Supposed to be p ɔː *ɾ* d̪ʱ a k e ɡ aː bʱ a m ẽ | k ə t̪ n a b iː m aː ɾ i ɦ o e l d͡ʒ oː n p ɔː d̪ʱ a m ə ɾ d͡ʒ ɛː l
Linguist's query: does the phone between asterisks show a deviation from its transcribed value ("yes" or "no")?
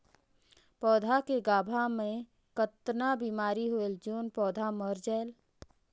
yes